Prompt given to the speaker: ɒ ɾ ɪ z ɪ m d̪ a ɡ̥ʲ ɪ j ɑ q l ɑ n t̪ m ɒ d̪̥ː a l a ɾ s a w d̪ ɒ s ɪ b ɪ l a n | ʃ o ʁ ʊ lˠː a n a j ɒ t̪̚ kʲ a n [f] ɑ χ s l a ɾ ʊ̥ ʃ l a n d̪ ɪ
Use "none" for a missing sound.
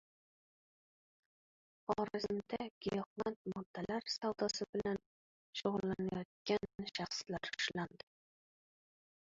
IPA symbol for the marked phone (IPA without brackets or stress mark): ʃ